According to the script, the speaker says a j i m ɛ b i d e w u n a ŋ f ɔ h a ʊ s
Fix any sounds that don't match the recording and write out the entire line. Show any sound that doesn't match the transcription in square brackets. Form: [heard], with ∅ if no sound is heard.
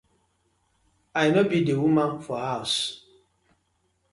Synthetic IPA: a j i m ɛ b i d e w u [m] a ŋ f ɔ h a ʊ s